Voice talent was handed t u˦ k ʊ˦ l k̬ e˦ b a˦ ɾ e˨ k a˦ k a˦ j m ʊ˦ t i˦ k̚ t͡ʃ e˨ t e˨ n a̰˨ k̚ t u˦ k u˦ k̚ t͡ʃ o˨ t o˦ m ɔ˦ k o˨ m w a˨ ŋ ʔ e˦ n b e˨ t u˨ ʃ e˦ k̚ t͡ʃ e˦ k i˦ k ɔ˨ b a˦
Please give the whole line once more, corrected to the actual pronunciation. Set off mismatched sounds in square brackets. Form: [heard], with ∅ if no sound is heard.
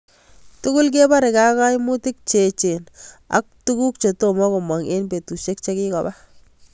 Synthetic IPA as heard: t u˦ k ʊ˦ l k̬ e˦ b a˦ ɾ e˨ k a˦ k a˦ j m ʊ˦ t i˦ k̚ t͡ʃ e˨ [t͡ʃ] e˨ n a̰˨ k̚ t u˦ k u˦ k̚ t͡ʃ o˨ t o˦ m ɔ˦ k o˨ m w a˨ ŋ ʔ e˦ n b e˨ t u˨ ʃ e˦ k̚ t͡ʃ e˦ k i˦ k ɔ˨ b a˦